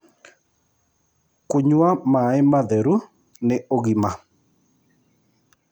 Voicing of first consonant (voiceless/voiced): voiceless